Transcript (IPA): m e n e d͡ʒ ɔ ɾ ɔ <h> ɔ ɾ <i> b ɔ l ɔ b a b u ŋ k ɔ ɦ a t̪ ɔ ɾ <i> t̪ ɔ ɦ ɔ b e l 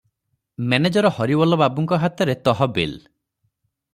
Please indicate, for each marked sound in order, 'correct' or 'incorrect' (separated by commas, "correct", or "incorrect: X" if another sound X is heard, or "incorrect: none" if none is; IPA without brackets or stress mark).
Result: correct, correct, incorrect: e